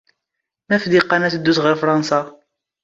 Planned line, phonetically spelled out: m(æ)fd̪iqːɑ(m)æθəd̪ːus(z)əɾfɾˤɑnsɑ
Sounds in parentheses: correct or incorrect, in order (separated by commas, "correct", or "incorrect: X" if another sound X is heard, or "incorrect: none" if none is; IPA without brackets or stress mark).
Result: correct, incorrect: n, incorrect: ʁ